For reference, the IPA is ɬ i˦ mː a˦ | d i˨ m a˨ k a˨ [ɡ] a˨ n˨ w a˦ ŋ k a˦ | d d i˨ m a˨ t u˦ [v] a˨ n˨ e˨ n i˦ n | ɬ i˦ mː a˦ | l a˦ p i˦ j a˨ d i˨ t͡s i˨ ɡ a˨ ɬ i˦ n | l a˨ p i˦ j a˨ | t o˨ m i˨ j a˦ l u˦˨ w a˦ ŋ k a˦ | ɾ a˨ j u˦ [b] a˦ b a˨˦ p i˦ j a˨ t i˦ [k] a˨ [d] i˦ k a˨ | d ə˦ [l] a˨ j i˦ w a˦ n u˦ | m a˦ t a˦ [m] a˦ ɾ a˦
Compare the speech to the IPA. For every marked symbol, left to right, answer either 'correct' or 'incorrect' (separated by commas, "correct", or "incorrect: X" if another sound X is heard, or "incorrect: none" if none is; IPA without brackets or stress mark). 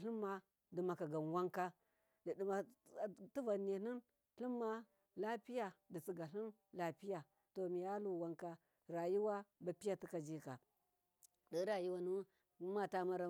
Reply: correct, correct, incorrect: w, correct, incorrect: d͡ʒ, incorrect: ɾ, correct